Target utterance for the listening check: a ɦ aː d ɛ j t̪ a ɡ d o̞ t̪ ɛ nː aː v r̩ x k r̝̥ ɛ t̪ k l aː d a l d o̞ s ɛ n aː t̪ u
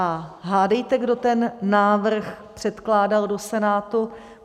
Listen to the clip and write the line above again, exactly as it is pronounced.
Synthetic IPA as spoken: a ɦ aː d ɛ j t̪ ɛ ɡ d o̞ t̪ ɛ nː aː v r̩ x p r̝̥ ɛ t̪ k l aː d a l d o̞ s ɛ n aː t̪ u